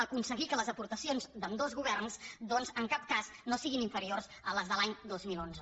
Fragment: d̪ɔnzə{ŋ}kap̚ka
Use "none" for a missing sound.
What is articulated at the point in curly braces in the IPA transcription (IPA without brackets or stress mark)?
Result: ŋ